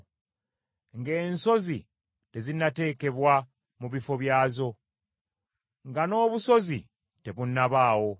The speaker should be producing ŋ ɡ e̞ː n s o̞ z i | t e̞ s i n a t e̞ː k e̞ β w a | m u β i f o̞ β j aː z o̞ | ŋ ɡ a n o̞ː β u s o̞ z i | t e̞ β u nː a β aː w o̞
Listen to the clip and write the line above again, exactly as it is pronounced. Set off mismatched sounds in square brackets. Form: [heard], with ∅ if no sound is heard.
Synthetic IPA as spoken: ŋ ɡ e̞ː n s o̞ z i | t e̞ [z] i n a t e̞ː k e̞ β w a | m u β i f o̞ β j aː z o̞ | ŋ ɡ a n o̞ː β u s o̞ z i | t e̞ β u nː a β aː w o̞